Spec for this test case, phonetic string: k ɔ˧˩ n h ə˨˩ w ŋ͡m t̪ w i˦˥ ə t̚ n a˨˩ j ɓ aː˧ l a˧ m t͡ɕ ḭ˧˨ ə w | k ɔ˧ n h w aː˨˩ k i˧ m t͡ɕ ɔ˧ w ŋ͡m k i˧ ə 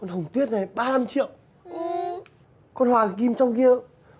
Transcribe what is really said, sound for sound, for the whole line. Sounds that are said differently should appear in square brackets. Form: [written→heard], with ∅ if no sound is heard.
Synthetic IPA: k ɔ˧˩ n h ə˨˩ w ŋ͡m t̪ w i˦˥ ə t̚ n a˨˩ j ɓ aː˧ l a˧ m t͡ɕ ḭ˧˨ ə w | k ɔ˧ n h w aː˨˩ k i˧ m t͡ɕ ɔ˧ w ŋ͡m k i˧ ə

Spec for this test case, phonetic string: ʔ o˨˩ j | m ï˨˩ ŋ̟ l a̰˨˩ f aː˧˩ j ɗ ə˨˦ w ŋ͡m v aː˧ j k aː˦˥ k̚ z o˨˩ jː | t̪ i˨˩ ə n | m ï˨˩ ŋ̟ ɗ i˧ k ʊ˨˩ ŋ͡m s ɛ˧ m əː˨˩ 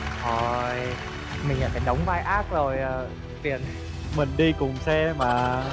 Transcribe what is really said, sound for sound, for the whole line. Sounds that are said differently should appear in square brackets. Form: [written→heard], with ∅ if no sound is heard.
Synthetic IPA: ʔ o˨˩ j | m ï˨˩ ŋ̟ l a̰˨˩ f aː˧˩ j ɗ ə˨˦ w ŋ͡m v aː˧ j [k→ʔ] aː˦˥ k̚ z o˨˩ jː | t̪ i˨˩ ə n | m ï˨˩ ŋ̟ ɗ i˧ k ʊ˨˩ ŋ͡m s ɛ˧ m [əː˨˩→aː˨˩]

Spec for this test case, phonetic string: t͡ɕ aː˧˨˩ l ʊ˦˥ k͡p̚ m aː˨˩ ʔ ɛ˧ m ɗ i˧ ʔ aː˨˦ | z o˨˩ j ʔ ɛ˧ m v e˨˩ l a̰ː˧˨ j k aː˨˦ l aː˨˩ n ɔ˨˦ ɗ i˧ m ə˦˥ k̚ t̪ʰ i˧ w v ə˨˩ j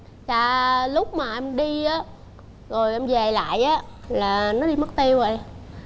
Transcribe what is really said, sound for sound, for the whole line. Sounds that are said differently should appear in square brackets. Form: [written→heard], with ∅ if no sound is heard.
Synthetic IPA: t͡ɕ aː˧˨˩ l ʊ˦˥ k͡p̚ m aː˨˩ ʔ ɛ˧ m ɗ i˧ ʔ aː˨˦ | z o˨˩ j ʔ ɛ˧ m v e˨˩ l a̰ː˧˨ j [k→ʔ] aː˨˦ l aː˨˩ n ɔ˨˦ ɗ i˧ m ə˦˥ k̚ [t̪ʰ→t̪] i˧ w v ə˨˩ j

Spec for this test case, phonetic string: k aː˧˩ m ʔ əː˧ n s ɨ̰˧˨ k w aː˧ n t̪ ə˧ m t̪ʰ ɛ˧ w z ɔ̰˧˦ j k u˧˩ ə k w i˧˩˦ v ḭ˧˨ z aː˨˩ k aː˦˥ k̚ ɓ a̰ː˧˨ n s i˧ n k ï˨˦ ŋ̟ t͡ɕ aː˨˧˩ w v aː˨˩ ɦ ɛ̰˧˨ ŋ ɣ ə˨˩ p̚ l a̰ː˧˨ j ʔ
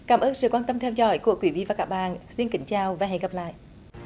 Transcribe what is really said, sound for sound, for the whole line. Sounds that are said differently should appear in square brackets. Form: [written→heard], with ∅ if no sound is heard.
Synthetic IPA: k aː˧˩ m ʔ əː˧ n s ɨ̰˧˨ k w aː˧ n t̪ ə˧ m t̪ʰ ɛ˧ w z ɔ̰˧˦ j k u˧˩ ə k w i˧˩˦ v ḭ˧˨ [z→v] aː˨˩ k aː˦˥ k̚ ɓ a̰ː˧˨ n s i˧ n k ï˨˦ ŋ̟ t͡ɕ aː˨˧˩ w v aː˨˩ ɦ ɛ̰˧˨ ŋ ɣ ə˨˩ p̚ l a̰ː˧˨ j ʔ

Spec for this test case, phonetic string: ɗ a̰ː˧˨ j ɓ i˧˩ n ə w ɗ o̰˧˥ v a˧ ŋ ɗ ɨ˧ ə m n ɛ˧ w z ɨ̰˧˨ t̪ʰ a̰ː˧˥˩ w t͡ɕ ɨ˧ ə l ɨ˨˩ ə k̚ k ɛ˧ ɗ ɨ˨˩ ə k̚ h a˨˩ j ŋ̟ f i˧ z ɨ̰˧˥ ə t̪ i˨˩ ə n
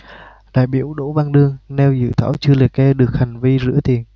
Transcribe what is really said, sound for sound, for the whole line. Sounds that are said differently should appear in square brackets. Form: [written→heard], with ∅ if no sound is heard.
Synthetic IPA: ɗ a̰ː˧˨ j ɓ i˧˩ [n→∅] ə w ɗ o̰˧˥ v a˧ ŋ ɗ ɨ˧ ə [m→ŋ] n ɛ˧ w z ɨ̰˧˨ t̪ʰ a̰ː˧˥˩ w t͡ɕ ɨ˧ ə l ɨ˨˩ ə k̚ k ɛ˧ ɗ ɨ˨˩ ə k̚ h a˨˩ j ŋ̟ [f→v] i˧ z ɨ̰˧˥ ə t̪ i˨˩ ə n

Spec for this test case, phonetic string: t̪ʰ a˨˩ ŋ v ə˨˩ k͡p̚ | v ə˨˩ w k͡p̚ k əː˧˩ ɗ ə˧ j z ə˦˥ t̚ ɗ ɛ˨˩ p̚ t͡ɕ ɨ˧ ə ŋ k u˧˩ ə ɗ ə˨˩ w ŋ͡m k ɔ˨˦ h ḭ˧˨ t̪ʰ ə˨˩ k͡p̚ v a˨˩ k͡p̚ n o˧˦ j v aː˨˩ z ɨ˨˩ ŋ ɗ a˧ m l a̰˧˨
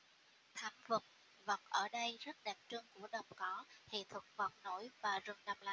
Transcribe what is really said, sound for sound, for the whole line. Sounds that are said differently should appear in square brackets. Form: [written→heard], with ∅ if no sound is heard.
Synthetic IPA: t̪ʰ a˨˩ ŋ v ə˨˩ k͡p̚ | v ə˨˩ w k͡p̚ [k→ʔ] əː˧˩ ɗ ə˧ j z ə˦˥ t̚ ɗ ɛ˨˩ p̚ t͡ɕ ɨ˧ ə ŋ k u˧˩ ə ɗ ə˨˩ w ŋ͡m k ɔ˨˦ h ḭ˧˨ t̪ʰ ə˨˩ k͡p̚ v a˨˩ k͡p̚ n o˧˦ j v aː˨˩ z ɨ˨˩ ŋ ɗ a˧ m l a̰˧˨

